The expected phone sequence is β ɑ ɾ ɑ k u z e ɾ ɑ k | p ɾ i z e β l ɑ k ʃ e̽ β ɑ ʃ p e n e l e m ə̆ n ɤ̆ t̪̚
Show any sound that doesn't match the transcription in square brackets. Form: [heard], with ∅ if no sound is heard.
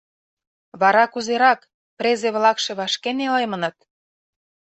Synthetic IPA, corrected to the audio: β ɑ ɾ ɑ k u z e ɾ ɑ k | p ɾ [e] z e β l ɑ k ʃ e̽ β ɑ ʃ [k] e n e l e m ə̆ n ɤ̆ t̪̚